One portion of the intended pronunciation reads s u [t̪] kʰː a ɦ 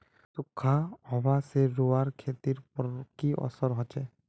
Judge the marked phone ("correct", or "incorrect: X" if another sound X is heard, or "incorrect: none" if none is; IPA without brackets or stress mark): incorrect: none